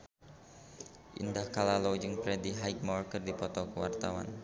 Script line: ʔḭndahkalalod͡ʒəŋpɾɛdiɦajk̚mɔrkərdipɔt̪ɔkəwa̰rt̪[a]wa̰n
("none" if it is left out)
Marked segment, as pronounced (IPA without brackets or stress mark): a